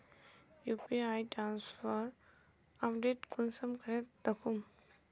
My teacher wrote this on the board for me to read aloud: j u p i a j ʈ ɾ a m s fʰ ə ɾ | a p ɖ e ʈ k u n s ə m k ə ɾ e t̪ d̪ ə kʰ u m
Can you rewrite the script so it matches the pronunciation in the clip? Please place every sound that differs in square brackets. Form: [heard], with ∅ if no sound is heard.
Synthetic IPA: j u p i a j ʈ ɾ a [n] s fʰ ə ɾ | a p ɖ e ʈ k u n s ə m k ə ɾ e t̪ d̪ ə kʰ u m